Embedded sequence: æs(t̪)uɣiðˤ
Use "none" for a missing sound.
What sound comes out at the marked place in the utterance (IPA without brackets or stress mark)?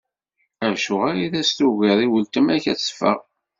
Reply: t̪